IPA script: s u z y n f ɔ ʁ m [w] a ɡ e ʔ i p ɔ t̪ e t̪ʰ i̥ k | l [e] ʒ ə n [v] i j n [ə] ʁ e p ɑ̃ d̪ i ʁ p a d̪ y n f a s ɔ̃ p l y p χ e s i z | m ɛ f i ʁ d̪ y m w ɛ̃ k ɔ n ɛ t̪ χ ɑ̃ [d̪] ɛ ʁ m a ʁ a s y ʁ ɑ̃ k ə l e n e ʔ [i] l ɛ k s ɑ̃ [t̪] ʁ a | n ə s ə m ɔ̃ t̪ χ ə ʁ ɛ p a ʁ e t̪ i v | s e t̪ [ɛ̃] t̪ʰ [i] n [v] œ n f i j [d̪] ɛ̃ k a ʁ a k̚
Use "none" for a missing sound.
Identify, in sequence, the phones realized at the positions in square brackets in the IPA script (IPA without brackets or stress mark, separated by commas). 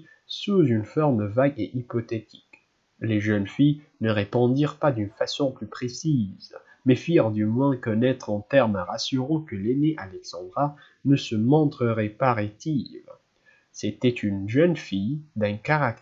v, e, f, ə, t̪, a, d̪, ɛ, y, ʒ, d̪